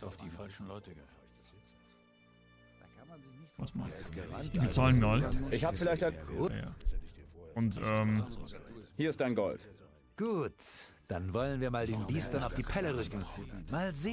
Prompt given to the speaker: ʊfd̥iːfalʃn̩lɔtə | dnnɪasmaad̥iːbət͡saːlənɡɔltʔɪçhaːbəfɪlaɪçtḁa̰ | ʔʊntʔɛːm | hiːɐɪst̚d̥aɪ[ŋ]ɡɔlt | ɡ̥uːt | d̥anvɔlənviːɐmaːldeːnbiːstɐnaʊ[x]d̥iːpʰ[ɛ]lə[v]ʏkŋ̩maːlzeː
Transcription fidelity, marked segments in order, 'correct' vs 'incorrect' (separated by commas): incorrect, incorrect, correct, incorrect